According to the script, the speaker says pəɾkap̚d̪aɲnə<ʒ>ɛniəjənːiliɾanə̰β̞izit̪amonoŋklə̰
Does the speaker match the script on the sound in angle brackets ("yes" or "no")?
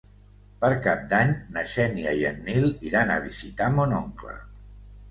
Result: no